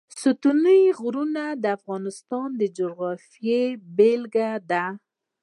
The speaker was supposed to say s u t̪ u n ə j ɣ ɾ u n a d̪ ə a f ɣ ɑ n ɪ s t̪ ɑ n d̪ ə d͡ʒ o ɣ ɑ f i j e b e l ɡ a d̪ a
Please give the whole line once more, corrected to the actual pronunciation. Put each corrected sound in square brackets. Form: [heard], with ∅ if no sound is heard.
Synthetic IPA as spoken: s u t̪ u n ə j ɣ ɾ u n a d̪ ə a f ɣ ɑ n ɪ s t̪ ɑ n d̪ ə d͡ʒ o ɣ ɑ f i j e b e l ɡ a d̪ a